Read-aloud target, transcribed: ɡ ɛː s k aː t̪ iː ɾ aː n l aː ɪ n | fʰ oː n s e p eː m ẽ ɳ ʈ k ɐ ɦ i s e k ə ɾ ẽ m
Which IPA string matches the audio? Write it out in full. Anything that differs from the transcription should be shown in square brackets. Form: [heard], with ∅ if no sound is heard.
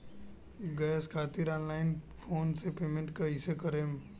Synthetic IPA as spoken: ɡ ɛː s [kʰ] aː t̪ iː ɾ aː n l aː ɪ n | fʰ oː n s e p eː m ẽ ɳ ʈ k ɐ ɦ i s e k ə ɾ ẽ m